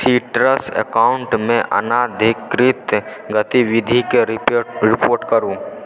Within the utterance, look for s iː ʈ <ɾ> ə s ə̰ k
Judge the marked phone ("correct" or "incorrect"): correct